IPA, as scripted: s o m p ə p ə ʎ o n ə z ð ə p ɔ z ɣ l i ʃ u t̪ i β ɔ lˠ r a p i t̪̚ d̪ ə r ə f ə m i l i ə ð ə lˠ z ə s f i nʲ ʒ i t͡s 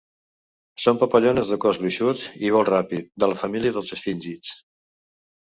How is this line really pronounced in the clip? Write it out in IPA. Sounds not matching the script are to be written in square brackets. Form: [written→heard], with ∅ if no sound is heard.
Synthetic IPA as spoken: s o m p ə p ə ʎ o n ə z ð ə [p→k] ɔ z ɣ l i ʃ u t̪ i β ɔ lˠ r a p i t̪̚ d̪ ə [r→l] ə f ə m i l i ə ð ə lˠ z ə s f i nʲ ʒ i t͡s